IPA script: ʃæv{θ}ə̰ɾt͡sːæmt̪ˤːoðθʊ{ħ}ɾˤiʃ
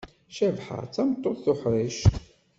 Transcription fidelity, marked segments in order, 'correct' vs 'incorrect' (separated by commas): incorrect, correct